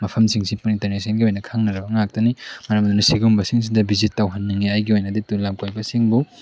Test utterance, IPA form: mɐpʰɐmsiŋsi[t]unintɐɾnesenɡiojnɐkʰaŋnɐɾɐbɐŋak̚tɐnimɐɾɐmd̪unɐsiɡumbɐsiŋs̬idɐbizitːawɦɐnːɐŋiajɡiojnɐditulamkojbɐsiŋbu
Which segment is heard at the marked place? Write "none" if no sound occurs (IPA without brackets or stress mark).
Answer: p